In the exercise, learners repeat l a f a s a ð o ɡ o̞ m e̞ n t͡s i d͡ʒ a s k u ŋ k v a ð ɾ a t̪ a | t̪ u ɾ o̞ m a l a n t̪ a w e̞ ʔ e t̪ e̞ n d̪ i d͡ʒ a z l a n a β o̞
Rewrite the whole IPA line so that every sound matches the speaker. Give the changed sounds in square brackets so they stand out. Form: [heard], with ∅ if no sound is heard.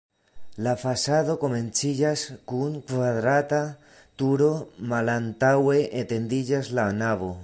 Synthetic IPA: l a f a s a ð o [k] o̞ m e̞ n t͡s i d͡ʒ a s k u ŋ k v a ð ɾ a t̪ a | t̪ u ɾ o̞ m a l a n t̪ a w e̞ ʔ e t̪ e̞ n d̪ i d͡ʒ a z l a n a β o̞